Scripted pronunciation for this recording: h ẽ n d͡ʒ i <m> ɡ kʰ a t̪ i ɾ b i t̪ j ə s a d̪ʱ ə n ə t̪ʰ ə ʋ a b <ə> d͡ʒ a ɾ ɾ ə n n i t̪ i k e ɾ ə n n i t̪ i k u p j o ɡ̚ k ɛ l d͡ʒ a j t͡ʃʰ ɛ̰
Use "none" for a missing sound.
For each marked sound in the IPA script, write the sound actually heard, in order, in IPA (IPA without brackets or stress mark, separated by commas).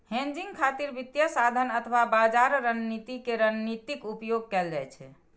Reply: ŋ, a